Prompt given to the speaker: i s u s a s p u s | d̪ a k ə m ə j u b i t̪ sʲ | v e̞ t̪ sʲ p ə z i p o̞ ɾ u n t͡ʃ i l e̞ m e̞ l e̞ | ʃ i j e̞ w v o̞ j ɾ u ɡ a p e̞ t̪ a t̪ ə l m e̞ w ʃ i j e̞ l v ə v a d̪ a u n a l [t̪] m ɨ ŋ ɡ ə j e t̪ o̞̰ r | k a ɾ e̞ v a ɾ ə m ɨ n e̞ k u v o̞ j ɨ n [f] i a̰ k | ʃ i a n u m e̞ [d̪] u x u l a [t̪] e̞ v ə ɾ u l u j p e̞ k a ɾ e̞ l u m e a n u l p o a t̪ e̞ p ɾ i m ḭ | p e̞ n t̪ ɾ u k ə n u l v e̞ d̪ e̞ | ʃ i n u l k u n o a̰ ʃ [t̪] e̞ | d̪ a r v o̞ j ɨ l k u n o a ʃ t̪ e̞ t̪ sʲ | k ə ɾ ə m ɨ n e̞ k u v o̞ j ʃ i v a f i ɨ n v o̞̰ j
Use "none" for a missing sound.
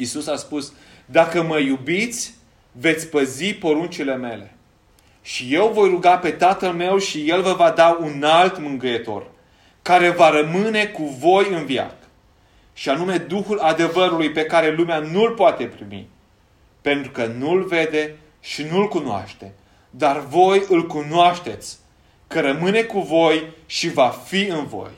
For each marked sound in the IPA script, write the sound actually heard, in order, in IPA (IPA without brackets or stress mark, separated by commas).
t̪, v, d̪, d̪, t̪